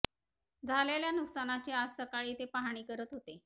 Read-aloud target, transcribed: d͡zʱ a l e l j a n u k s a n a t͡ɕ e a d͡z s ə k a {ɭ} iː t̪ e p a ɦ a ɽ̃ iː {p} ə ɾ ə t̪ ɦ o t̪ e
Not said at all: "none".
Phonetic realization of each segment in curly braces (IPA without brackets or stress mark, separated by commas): ɭ, k